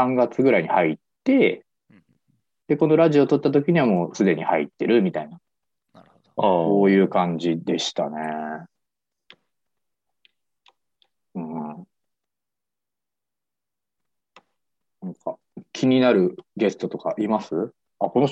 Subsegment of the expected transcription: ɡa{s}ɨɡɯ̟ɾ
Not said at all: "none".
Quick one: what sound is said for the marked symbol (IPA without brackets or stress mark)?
t͡s